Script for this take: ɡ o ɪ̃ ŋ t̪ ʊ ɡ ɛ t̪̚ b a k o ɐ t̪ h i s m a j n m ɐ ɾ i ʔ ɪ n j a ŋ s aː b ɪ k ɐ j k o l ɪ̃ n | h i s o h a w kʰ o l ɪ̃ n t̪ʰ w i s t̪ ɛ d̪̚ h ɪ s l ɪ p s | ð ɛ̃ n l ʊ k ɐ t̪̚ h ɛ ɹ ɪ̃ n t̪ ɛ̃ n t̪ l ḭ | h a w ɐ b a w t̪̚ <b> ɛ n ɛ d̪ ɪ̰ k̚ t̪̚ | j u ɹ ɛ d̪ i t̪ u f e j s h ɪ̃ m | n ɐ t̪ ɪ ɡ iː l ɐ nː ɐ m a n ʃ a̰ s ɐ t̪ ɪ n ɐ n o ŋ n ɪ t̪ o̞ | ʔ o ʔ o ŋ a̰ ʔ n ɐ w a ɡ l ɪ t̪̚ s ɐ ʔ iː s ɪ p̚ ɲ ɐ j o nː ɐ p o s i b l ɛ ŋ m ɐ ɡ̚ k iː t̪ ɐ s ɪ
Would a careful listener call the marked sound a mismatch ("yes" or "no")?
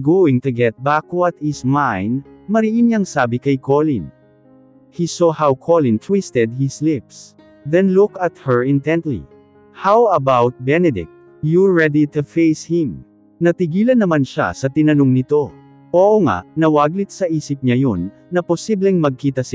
no